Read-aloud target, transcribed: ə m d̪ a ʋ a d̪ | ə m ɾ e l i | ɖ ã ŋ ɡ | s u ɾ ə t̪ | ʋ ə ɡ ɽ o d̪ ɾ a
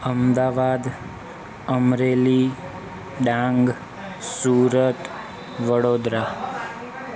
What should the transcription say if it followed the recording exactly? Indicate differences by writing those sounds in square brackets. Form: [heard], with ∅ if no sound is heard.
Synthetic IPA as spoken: ə m d̪ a ʋ a d̪ | ə m ɾ e l i | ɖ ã ŋ ɡ | s u ɾ ə t̪ | ʋ ə [∅] ɽ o d̪ ɾ a